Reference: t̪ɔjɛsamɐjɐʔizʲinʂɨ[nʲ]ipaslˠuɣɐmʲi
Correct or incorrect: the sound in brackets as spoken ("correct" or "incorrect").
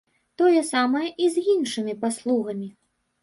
incorrect